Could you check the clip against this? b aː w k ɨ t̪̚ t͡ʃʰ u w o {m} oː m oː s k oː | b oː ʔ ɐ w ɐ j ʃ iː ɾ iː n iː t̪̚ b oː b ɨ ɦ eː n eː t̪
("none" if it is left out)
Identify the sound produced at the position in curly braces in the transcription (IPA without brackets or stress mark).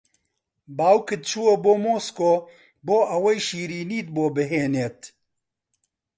b